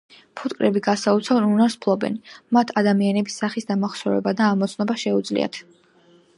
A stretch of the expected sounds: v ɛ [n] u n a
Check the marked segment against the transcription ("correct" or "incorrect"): correct